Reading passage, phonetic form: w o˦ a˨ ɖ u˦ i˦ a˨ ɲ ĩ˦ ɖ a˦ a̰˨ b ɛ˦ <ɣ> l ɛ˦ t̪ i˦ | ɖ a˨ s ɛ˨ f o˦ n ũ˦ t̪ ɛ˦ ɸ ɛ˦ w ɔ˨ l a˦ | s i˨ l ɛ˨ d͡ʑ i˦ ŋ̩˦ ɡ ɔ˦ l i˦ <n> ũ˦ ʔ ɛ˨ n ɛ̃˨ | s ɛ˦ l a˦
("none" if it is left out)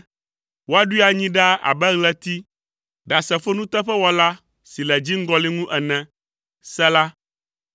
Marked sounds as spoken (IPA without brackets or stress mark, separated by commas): ɣ, ŋ